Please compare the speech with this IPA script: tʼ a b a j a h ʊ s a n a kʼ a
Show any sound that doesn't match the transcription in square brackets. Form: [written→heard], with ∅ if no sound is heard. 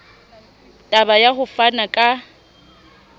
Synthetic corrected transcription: tʼ a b a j a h ʊ [s→f] a n a kʼ a